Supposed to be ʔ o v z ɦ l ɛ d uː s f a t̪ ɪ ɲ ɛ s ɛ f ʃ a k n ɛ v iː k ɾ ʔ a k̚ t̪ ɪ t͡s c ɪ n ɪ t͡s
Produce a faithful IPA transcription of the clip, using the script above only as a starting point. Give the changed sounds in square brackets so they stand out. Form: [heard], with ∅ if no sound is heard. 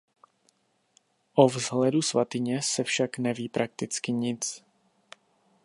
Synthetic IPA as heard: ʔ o v z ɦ l ɛ d [u] s [v] a t̪ ɪ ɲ ɛ s ɛ f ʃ a k n ɛ v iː [p] ɾ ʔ a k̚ t̪ ɪ t͡s [k] ɪ [ɲ] ɪ t͡s